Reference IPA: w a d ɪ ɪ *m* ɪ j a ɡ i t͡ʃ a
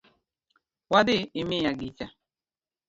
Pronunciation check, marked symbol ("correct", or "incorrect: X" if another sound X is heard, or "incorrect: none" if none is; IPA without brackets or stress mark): correct